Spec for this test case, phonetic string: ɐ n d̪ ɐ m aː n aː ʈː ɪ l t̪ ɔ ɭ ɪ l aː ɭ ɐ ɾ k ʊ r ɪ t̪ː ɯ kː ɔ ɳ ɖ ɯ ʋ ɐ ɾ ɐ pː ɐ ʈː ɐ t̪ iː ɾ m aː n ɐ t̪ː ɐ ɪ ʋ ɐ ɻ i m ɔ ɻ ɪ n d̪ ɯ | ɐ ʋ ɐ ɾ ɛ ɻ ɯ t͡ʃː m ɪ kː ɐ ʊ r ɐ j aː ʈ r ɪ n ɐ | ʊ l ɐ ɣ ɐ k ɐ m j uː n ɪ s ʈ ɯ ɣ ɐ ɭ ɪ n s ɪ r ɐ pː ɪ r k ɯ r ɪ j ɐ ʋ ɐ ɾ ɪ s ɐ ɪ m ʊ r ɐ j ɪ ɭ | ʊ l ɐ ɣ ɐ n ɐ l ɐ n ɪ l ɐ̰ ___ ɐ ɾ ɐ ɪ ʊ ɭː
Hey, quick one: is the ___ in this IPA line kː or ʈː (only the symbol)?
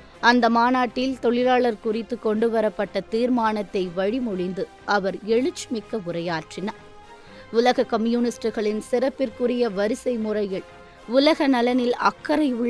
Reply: kː